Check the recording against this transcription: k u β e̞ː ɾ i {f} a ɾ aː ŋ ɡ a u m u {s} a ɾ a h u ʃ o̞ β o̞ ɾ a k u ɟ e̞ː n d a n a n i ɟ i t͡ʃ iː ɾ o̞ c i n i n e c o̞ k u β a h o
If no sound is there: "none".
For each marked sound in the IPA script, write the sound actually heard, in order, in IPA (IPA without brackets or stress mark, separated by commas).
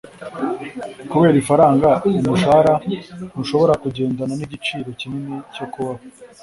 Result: f, ʃ